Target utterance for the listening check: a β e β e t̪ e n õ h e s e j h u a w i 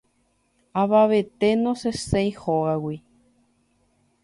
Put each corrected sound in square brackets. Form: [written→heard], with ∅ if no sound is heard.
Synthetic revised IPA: a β [e→a] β e t̪ e n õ [h→s] e s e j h [u→o] a w i